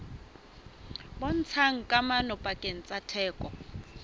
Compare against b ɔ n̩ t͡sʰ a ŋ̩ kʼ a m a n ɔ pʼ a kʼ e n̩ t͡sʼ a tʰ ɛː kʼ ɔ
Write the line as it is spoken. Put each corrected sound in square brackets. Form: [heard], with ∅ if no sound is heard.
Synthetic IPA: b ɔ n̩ t͡sʰ a ŋ̩ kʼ a m a n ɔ pʼ a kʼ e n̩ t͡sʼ a tʰ ɛː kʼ ɔ